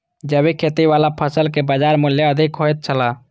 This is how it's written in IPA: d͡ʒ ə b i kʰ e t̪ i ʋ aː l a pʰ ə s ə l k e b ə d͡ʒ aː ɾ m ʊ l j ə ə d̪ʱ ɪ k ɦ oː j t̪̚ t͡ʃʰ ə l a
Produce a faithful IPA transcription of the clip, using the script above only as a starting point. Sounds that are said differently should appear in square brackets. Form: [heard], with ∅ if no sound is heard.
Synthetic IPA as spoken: d͡ʒ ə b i kʰ e t̪ i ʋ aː l a pʰ ə s ə l k e b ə d͡ʒ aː ɾ m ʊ l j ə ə d̪ʱ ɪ k ɦ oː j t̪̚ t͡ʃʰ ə l a